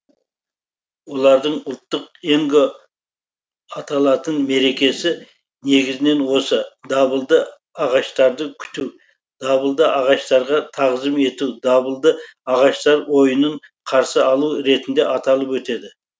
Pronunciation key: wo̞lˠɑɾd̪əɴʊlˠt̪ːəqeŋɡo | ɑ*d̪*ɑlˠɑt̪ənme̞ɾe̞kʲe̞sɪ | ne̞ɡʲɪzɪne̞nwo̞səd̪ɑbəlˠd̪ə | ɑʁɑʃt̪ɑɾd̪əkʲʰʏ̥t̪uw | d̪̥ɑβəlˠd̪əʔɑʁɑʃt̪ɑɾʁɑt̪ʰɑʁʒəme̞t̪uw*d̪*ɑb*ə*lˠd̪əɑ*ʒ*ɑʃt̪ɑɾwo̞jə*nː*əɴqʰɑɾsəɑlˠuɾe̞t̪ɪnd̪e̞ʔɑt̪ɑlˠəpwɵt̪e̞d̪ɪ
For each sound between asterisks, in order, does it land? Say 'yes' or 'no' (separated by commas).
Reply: no, yes, yes, no, no